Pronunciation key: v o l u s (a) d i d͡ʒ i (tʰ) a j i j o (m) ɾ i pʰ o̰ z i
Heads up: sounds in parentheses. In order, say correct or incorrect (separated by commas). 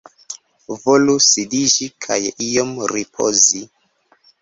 incorrect, incorrect, correct